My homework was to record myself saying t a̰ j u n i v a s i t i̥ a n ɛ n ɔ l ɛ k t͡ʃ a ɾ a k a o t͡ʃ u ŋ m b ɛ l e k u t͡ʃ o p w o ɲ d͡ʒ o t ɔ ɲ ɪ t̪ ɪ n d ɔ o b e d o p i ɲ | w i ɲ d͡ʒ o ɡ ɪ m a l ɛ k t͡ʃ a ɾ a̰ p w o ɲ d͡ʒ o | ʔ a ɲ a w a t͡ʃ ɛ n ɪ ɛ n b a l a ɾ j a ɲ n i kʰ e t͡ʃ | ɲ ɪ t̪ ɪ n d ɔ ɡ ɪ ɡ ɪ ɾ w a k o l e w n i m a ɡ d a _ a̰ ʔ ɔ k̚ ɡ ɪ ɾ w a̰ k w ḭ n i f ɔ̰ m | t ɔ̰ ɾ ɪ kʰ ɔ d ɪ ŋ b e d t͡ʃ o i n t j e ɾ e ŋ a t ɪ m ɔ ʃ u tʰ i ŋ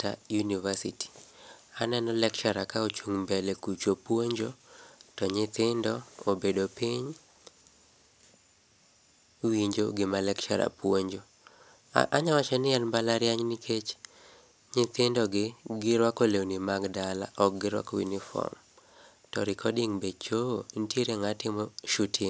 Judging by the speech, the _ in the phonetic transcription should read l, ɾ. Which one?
l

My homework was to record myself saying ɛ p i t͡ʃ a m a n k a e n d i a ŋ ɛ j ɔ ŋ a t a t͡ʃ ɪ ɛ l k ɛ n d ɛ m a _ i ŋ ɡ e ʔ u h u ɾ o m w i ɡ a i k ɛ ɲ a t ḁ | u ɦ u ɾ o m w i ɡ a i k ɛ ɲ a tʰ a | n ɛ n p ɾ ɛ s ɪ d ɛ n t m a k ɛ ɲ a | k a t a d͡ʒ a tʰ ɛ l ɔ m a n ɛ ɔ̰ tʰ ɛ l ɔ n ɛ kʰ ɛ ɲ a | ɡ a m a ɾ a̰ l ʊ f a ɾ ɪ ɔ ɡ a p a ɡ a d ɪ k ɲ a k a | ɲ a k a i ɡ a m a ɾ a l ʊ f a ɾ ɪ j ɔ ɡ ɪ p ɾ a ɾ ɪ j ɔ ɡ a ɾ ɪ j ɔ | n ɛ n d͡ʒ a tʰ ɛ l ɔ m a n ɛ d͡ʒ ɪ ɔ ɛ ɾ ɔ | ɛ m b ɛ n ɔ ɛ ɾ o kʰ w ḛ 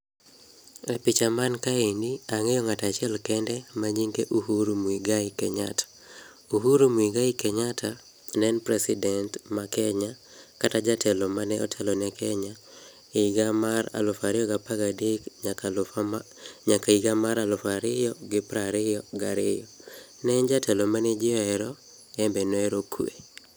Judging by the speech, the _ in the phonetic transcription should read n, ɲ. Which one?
ɲ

